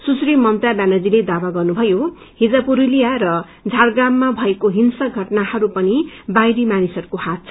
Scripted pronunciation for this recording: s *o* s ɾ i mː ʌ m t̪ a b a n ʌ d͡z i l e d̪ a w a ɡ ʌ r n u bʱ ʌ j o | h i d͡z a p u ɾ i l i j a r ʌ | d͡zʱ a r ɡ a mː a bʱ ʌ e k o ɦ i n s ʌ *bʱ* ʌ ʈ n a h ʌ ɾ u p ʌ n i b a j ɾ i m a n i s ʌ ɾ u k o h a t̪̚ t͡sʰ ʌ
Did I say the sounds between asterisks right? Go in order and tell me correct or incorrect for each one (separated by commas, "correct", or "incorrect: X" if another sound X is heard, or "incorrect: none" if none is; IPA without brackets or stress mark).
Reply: incorrect: u, incorrect: ɡʱ